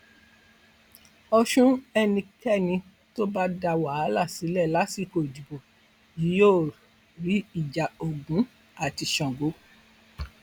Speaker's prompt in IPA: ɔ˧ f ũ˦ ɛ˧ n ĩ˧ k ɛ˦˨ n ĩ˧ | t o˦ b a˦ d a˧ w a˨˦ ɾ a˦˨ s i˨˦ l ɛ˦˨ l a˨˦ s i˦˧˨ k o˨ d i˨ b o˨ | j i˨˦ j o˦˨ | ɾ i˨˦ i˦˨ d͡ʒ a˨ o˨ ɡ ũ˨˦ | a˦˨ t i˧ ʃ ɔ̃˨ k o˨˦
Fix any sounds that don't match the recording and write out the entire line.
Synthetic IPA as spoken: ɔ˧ ʃ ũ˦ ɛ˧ n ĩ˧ k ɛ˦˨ n ĩ˧ | t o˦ b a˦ d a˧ w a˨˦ l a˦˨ s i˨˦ l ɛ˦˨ l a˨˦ s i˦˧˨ k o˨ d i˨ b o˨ | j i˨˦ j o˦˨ | ɾ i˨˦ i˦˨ d͡ʒ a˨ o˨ ɡ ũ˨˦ | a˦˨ t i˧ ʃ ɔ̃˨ ɡ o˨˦